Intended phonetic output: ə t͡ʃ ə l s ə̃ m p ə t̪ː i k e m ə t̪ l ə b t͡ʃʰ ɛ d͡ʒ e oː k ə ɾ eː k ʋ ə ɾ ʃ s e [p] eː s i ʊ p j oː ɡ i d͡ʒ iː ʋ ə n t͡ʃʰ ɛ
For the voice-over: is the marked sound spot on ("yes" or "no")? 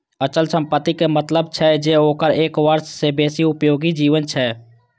no